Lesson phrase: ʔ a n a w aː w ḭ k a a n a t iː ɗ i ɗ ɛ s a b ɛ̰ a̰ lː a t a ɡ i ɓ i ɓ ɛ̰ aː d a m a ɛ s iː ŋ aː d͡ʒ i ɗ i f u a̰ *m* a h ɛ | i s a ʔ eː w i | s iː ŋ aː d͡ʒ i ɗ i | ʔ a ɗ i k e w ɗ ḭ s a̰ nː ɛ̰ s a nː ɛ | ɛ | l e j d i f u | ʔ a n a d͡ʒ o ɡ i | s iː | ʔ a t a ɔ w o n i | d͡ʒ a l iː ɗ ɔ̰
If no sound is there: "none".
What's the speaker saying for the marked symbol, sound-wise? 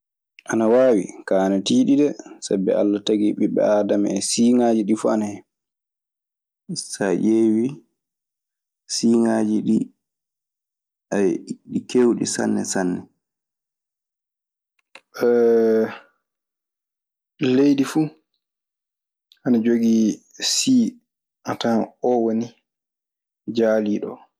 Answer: n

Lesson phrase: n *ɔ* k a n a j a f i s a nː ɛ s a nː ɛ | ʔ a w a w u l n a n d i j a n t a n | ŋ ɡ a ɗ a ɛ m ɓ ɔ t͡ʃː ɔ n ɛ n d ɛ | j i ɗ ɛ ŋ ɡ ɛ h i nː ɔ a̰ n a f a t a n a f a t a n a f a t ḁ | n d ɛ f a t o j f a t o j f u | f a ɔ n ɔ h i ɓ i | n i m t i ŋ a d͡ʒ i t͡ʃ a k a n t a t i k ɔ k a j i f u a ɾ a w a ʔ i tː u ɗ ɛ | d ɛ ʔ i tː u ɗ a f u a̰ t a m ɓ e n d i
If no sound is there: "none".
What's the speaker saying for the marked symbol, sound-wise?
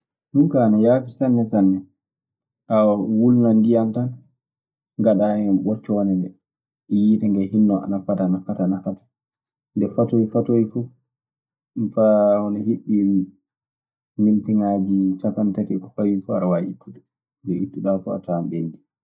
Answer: u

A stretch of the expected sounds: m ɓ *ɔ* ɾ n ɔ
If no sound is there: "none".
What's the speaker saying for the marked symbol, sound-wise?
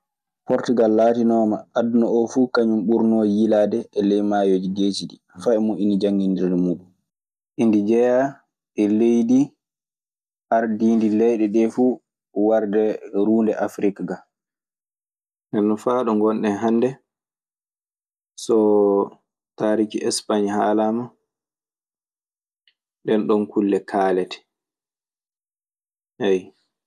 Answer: u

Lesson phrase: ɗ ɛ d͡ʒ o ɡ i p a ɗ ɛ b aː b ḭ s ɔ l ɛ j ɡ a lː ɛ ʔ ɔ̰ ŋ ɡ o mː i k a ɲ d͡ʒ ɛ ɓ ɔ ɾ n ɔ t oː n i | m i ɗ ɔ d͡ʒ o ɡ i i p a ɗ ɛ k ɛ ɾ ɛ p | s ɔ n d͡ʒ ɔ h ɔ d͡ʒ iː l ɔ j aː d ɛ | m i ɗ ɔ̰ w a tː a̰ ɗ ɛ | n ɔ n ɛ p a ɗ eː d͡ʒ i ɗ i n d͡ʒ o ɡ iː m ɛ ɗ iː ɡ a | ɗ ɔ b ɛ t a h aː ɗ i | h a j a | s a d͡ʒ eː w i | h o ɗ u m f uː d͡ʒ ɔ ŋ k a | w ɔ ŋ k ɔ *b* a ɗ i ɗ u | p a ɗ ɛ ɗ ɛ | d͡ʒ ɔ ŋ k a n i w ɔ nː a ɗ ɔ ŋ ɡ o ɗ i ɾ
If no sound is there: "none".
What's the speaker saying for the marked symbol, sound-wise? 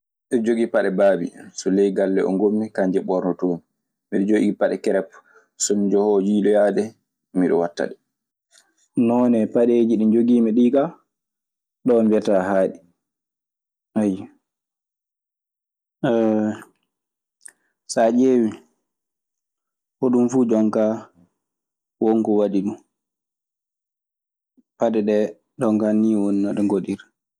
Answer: w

